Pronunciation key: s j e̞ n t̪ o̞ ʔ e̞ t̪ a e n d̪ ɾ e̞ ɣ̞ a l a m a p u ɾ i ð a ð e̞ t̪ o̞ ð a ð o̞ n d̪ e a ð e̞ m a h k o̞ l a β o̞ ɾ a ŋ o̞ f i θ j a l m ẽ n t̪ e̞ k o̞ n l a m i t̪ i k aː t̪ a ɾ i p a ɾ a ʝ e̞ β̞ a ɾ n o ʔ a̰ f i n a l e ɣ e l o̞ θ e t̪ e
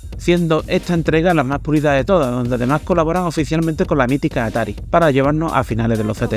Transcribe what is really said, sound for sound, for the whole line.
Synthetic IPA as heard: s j e̞ n d̪ o̞ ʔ e̞ t̪ a e n t̪ ɾ e̞ ɣ̞ a l a m a p u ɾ i ð a ð e̞ t̪ o̞ ð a ð o̞ n d̪ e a ð e̞ m a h k o̞ l a β o̞ ɾ a ŋ o̞ f i θ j a l m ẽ n t̪ e̞ k o̞ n l a m i t̪ i k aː t̪ a ɾ i p a ɾ a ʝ e̞ β̞ a ɾ n o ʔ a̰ f i n a l e ð e l o̞ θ e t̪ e